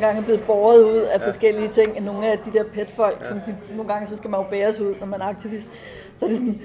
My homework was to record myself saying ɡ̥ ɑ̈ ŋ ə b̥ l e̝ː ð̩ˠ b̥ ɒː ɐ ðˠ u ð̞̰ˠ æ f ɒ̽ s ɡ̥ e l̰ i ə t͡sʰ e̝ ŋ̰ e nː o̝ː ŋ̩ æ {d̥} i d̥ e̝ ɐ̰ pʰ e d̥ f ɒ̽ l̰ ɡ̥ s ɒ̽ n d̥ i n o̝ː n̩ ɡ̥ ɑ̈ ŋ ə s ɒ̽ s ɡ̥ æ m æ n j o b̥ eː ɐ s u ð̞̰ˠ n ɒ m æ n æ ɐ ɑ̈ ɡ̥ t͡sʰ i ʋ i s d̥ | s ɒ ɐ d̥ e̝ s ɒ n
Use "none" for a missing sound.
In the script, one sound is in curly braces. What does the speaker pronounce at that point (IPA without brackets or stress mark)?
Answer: d̥